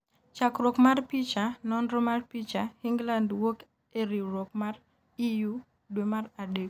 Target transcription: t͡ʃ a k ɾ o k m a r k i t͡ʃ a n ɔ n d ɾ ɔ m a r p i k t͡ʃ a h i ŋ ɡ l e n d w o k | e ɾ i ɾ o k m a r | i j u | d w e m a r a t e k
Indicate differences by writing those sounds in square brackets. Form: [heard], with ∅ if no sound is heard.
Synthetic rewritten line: t͡ʃ a k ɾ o k m a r [p] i t͡ʃ a n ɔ n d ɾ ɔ m a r p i [∅] t͡ʃ a h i ŋ ɡ l [a] n d w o k | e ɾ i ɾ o k m a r | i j u | d w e m a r a [d] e k